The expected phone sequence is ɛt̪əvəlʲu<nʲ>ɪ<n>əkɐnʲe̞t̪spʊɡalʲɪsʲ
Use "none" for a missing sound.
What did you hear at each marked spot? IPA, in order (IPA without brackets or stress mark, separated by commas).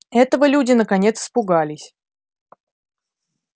dʲ, n